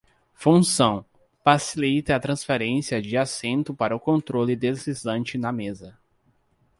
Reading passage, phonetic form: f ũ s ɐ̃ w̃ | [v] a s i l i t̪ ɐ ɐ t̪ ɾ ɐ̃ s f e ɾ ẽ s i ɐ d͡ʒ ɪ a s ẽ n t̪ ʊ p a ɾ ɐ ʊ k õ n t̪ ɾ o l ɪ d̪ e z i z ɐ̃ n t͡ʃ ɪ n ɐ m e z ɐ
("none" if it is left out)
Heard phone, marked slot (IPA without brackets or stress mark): f